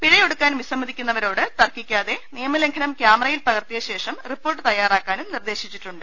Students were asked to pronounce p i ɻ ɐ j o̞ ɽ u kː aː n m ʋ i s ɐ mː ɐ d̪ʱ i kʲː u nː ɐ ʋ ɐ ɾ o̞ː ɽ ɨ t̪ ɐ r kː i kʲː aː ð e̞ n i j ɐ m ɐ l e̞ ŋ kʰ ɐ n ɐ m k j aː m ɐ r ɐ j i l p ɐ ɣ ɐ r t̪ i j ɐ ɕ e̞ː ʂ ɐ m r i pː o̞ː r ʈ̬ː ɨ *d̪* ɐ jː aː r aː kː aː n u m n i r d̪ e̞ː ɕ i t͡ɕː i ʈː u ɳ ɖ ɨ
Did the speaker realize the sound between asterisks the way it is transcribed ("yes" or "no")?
no